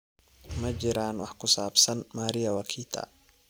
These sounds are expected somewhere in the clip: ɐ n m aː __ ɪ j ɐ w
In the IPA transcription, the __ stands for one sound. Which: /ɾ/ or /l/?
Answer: ɾ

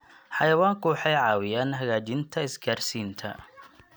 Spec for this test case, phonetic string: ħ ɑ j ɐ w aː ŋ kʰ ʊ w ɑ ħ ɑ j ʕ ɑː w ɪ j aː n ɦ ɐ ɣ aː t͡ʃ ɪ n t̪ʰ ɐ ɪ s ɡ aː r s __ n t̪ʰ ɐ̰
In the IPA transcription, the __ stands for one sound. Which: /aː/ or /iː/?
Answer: iː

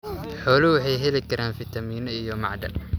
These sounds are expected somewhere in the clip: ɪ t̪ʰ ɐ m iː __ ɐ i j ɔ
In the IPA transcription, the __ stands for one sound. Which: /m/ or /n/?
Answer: n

